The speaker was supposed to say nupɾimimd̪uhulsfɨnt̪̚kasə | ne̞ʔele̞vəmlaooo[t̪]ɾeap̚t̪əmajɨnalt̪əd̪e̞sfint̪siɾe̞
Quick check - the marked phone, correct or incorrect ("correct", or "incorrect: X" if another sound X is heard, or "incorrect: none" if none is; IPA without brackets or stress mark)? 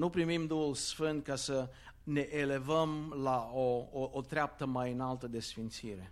correct